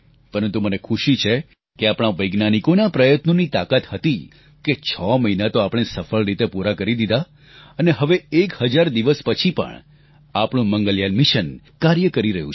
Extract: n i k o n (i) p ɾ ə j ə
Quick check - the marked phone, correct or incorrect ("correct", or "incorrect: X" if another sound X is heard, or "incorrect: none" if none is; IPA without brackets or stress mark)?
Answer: incorrect: a